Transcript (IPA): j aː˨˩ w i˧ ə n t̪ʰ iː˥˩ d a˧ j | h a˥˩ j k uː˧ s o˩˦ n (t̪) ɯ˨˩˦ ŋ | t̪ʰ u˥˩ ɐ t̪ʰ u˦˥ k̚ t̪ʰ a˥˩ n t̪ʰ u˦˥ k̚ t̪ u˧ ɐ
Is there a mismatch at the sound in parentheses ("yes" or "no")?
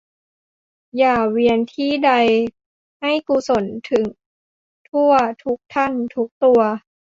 yes